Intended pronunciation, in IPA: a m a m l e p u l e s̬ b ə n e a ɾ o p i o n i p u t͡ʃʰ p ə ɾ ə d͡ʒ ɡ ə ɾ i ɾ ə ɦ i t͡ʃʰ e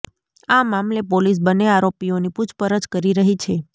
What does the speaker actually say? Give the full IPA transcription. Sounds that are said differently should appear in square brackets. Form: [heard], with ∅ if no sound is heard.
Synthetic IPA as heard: a m a m l e p [o] l [i] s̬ b ə n e a ɾ o p i o n i p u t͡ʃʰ p ə ɾ ə d͡ʒ [k] ə ɾ i ɾ ə ɦ i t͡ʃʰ e